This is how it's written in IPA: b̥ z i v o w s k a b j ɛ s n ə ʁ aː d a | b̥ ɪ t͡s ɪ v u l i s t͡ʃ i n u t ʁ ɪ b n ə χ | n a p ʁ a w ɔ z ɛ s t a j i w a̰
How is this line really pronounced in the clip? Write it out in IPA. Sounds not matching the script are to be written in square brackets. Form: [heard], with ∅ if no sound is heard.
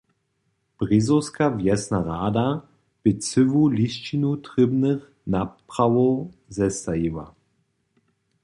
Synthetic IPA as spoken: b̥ [ʁ] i [z] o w s k a [v] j ɛ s n [a] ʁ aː d a | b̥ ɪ t͡s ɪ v u l i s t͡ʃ i n u t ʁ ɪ b n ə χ | n a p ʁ a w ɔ z ɛ s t a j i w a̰